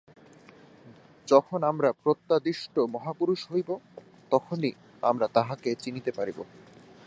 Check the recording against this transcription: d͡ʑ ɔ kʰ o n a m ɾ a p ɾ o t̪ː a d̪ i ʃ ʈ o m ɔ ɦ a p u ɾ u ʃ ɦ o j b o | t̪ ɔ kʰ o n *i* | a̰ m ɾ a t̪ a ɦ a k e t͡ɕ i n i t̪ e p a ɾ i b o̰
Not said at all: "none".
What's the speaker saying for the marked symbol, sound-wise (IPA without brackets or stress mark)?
i